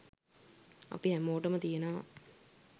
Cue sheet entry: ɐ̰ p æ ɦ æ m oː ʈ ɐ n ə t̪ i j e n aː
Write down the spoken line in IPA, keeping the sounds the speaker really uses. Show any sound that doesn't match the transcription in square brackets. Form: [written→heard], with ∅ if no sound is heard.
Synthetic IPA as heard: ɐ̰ p [æ→i] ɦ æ m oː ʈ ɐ [n→m] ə t̪ i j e n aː